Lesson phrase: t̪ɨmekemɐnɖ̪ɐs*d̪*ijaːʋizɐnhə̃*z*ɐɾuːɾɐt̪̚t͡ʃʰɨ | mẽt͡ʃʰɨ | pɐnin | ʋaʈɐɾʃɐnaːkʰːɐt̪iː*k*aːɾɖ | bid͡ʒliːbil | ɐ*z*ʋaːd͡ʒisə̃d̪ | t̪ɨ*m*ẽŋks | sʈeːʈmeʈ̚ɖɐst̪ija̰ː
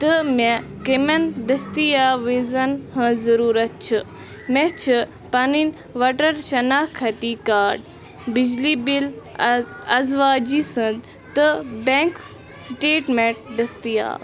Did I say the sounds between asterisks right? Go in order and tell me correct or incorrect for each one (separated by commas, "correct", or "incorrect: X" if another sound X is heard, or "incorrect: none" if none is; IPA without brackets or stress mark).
incorrect: t̪, correct, correct, correct, incorrect: b